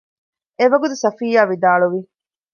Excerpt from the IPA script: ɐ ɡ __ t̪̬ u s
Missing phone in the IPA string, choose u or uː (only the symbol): u